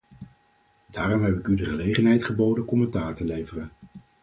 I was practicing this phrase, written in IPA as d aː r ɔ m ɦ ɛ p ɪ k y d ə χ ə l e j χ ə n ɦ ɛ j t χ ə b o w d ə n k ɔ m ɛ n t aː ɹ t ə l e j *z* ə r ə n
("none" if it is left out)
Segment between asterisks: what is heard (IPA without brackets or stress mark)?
v